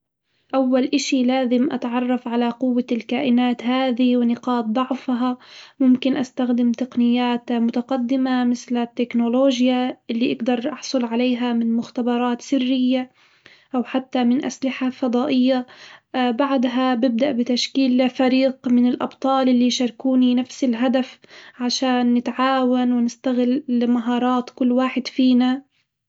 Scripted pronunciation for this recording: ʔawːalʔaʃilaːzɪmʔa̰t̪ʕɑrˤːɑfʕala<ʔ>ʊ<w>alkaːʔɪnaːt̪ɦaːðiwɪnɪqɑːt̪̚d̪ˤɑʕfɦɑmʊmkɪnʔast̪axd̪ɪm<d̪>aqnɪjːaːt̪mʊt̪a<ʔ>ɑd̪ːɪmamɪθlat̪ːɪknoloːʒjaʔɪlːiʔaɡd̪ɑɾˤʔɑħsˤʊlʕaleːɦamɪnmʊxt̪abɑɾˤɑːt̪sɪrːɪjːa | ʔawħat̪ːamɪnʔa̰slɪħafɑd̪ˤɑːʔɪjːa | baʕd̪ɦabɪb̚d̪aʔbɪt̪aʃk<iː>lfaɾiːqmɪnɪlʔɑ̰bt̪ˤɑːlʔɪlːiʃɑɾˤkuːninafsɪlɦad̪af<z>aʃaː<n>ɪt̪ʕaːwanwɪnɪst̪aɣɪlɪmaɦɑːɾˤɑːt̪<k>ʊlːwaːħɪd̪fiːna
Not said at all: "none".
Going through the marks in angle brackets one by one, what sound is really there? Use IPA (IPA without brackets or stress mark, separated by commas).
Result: q, wː, t̪, q, iː, ʕ, nː, k